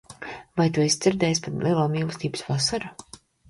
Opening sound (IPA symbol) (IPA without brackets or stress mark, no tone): v